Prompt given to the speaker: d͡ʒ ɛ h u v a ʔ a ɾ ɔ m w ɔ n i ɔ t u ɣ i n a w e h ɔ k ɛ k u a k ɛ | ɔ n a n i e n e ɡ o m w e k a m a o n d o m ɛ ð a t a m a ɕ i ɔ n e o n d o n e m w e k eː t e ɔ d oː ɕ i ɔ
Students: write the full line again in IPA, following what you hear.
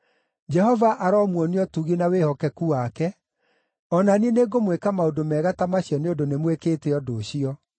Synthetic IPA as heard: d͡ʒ ɛ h ɔ v a ʔ a ɾ ɔ m w ɔ n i ɔ t u ɣ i n a w e h ɔ k ɛ k u a k ɛ | ɔ n a n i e n e ɡ o m w e k a m a o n d o m ɛ ɣ a t a m a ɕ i ɔ n e o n d o n e m w e k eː t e ɔ d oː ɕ i ɔ